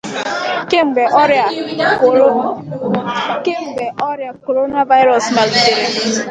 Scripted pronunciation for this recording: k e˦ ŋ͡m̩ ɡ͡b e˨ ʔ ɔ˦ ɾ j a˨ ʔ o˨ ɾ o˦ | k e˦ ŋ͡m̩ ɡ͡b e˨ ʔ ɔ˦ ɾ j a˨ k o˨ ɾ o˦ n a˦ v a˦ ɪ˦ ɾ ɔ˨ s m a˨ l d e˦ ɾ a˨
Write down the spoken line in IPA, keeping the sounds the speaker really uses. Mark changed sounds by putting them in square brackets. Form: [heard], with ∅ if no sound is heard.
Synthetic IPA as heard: k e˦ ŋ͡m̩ ɡ͡b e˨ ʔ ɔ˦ ɾ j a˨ [k] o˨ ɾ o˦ | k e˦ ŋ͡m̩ ɡ͡b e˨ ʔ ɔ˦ ɾ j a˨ k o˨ ɾ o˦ n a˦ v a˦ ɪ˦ ɾ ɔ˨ s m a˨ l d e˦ ɾ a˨